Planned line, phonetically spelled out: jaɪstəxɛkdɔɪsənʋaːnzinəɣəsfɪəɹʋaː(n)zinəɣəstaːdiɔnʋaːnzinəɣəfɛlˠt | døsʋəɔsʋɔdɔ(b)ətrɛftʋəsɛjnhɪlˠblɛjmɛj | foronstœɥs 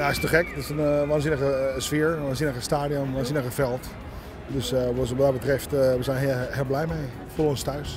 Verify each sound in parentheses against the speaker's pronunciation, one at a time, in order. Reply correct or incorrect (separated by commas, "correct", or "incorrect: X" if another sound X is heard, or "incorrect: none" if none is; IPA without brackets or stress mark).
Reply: correct, correct